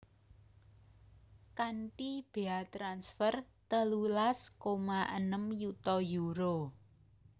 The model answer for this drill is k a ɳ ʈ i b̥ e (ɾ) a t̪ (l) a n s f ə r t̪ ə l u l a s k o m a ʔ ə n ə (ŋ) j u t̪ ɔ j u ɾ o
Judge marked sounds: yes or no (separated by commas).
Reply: no, no, no